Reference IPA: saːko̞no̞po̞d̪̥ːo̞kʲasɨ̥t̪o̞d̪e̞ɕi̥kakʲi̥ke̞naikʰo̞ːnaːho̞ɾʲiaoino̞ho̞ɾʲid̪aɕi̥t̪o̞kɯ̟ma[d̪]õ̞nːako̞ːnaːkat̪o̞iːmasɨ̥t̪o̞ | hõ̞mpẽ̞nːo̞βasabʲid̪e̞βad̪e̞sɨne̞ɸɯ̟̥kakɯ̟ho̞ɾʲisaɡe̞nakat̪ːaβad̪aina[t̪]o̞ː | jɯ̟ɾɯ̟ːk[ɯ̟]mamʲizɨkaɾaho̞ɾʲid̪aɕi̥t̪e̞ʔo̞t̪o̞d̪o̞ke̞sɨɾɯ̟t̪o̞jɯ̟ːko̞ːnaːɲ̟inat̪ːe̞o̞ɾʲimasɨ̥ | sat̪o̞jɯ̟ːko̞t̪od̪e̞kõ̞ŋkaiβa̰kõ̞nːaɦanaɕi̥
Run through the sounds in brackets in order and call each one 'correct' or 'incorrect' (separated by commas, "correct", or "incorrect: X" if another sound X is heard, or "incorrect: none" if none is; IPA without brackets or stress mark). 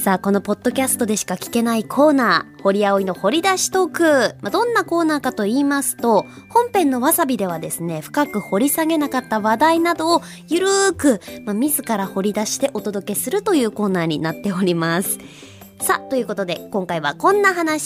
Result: correct, incorrect: d̪, correct